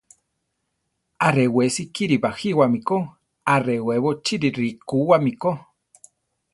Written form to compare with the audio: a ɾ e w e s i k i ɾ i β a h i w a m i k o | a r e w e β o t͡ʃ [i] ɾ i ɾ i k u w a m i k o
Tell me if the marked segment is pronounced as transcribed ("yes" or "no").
yes